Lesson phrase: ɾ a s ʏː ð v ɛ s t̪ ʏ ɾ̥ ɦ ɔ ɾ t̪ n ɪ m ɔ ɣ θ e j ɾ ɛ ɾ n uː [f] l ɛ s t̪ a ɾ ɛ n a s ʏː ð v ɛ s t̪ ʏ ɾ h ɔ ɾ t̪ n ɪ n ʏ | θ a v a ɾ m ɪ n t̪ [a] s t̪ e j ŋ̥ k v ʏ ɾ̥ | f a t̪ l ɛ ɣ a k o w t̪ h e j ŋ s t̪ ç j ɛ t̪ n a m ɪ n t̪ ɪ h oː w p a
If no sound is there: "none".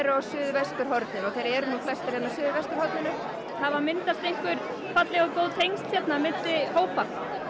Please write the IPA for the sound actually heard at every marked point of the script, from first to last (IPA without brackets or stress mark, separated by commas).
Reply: f, a